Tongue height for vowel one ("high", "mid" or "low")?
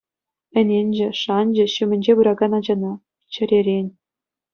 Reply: mid